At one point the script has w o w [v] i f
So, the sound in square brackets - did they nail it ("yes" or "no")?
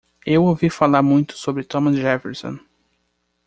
yes